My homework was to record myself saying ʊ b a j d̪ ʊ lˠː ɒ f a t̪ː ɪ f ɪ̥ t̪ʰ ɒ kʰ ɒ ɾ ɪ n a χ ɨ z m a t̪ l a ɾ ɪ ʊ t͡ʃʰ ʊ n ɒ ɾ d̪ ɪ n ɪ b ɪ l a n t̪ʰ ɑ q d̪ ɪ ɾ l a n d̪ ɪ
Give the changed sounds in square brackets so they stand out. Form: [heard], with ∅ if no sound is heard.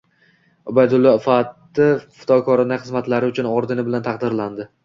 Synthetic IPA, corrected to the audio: ʊ b a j d̪ ʊ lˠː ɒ f a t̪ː ɪ f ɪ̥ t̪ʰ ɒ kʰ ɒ ɾ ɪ n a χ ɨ z m a t̪ l a ɾ ɪ ʊ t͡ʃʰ ʊ n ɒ ɾ d̪ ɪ n ɪ b ɪ l a n t̪ʰ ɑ q d̪ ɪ ɾ l a n d̪ ɪ